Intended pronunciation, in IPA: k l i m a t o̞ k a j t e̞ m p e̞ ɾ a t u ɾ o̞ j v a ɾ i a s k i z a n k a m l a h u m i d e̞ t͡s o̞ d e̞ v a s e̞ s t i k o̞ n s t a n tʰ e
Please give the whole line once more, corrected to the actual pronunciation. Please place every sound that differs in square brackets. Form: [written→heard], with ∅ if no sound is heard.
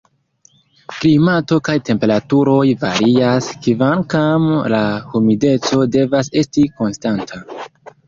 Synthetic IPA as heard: k l i m a t o̞ k a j t e̞ m p e̞ ɾ a t u ɾ o̞ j v a ɾ i a s k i [z→v] a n k a m l a h u m i d e̞ t͡s o̞ d e̞ v a s e̞ s t i k o̞ n s t a n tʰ [e→a]